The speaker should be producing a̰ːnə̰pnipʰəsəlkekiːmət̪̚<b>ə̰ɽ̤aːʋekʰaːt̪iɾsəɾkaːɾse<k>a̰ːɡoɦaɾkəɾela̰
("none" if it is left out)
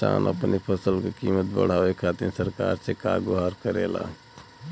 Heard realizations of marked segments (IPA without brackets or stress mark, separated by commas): b, k